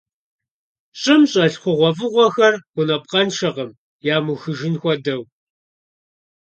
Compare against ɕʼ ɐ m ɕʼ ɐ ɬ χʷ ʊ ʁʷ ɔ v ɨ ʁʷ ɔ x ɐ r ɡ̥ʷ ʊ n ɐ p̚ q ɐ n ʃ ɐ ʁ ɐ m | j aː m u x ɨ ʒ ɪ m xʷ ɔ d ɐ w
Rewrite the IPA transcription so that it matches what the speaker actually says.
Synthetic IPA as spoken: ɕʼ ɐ m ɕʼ ɐ ɬ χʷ ʊ ʁʷ ɔ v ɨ ʁʷ ɔ x ɐ r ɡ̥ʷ ʊ n ɐ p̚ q ɐ n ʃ ɐ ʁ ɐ m | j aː m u x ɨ ʒ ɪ n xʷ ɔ d ɐ w

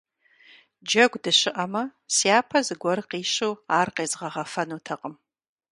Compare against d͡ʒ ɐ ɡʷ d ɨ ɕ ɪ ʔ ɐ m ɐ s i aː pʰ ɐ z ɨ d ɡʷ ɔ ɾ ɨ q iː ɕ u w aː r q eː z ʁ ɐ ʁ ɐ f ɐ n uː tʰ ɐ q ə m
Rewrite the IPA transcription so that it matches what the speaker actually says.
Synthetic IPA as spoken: d͡ʒ ɐ ɡʷ d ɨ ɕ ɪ ʔ ɐ m ɐ s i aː pʰ ɐ z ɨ ɡʷ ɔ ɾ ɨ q iː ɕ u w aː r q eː z ʁ ɐ ʁ ɐ f ɐ n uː tʰ ɐ q ə m

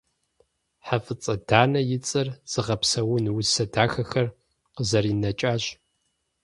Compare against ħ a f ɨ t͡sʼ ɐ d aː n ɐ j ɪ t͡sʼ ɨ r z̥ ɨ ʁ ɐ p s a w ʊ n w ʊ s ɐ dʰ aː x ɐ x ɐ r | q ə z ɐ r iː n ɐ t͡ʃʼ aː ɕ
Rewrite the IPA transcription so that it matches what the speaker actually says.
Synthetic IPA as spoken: ħ a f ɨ t͡sʼ ɐ d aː n ɐ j ɪ t͡sʼ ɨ r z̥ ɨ ʁ ɐ p s ɐ w ʊ n w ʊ s ɐ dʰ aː x ɐ x ɐ r | q ə z ɐ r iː n ɐ t͡ʃʼ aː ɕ

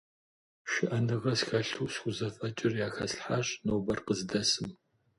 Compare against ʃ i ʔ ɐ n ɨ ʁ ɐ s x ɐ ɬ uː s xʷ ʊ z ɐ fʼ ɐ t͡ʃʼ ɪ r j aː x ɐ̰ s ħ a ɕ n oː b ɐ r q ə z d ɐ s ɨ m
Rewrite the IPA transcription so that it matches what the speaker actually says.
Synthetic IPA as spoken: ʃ ɪ ʔ ɐ n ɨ ʁ ɐ s x ɐ ɬ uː s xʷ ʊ z ɐ fʼ ɐ t͡ʃʼ ɪ r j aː x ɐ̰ s ħ a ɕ n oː b ɐ r q ə z d ɐ s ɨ m

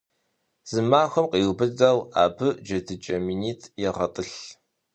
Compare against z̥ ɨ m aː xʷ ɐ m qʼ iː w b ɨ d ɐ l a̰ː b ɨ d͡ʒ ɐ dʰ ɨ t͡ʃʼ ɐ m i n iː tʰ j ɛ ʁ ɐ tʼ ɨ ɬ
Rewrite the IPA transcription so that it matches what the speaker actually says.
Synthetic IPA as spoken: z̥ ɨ m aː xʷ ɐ m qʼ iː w b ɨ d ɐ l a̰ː b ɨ d͡ʒ ɐ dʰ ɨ t͡ʃʼ ɐ m i n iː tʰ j ɛ ʁ ɐ tʼ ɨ ɬ

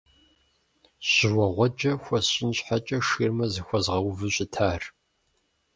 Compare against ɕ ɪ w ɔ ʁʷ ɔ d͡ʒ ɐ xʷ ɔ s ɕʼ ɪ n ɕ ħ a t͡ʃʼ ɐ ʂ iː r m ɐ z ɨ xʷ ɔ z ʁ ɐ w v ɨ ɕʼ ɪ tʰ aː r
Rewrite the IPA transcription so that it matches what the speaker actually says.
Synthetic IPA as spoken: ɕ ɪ w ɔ ʁʷ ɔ d͡ʒ ɐ xʷ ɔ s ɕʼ ɪ n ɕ ħ a t͡ʃʼ ɐ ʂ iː r m ɐ z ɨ xʷ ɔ z ʁ ɐ w v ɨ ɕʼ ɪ tʰ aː r

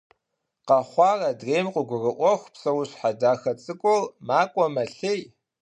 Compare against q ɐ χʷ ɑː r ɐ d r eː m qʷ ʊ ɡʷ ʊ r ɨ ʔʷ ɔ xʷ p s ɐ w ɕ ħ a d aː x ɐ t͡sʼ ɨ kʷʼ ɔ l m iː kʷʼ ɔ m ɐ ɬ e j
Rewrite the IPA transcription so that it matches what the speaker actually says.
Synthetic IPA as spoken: q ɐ χʷ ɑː r ɐ d r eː m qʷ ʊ ɡʷ ʊ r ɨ ʔʷ ɔ xʷ p s ɐ w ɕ ħ a d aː x ɐ t͡sʼ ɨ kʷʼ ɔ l m aː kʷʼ ɔ m ɐ ɬ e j

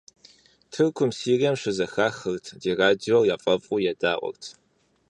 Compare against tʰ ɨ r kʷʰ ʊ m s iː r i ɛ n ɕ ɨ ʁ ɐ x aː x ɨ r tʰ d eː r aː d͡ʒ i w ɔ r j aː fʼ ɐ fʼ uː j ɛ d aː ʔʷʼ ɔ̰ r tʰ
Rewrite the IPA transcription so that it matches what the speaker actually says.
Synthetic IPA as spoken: tʰ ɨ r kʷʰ ʊ m s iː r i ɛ m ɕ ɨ z ɐ x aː x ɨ r tʰ d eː r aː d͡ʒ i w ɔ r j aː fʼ ɐ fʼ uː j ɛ d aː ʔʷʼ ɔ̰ r tʰ

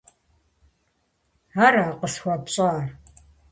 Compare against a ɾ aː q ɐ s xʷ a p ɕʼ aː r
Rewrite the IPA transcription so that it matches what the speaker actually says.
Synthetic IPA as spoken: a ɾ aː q ə s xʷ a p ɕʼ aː r

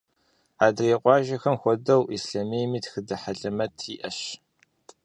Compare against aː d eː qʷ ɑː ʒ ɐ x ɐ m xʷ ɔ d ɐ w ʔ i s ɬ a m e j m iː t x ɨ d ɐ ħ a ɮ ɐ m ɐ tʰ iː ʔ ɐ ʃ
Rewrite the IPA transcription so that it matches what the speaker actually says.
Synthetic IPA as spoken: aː d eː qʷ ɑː ʒ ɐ x ɐ m xʷ ɔ d ɐ w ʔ i s ɬ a m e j m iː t x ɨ d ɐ ħ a ɮ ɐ m ɐ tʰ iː ʔ ɐ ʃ

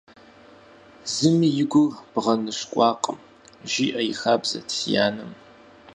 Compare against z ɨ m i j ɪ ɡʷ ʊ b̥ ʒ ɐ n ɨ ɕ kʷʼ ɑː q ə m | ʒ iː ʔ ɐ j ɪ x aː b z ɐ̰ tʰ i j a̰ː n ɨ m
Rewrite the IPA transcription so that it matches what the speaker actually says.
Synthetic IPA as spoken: z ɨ m i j ɪ ɡʷ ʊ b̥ ʁ ɐ n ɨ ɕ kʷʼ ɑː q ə m | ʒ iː ʔ ɐ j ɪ x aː b z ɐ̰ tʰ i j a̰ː n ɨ m

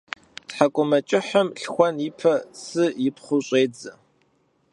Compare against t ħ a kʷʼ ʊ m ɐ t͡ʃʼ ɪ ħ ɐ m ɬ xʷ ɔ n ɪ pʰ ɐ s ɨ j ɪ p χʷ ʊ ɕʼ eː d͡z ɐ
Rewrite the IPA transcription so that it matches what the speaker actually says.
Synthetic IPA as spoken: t ħ a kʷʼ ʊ m ɐ t͡ʃʼ ɪ ħ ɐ m ɬ xʷ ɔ n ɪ pʰ ɐ s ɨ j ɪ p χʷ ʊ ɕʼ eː d͡z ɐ

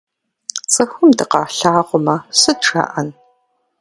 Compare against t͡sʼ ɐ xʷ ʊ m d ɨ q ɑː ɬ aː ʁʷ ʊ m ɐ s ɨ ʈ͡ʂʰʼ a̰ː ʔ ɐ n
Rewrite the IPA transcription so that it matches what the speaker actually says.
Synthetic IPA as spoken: t͡sʼ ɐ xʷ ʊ m d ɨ q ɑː ɬ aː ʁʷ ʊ m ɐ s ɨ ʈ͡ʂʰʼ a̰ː ʔ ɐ n

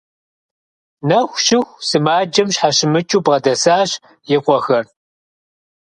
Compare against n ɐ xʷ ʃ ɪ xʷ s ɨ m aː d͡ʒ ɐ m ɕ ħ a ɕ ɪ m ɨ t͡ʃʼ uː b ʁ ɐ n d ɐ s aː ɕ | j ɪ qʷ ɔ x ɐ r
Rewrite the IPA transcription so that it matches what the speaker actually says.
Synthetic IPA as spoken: n ɐ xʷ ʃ ɪ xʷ s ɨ m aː d͡ʒ ɐ m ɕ ħ a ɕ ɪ m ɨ t͡ʃʼ uː b ʁ ɐ d ɐ s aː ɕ | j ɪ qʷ ɔ x ɐ r

